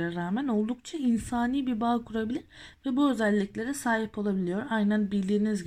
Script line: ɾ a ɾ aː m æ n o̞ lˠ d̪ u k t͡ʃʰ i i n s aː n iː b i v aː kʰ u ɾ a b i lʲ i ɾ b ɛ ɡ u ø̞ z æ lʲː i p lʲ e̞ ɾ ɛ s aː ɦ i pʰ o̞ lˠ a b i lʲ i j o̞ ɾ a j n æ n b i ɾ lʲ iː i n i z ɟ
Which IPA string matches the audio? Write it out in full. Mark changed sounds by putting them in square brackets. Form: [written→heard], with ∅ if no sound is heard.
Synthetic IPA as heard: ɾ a ɾ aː m æ n o̞ lˠ d̪ u k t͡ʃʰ [i→a] i n s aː n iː b i [v→b] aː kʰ u ɾ a b i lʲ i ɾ [b→v] ɛ [ɡ→b] u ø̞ z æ lʲː i [p→c] lʲ e̞ ɾ ɛ s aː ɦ i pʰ o̞ lˠ a b i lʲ i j o̞ ɾ a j n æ n b i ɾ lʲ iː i n i z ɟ